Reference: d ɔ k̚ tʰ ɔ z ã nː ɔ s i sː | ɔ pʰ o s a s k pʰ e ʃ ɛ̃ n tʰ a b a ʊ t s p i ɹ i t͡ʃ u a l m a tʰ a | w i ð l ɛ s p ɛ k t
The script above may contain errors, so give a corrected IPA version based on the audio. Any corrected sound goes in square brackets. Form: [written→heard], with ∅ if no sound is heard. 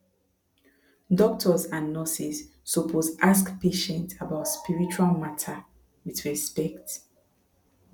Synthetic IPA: d ɔ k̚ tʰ ɔ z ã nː ɔ s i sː | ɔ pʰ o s a s k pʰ e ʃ ɛ̃ n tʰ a b a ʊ t s p i ɹ i t͡ʃ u a l m a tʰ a | w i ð [l→ɹ] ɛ s p ɛ k t